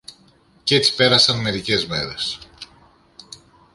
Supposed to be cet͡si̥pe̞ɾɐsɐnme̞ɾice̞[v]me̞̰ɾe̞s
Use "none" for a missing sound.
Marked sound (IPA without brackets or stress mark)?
z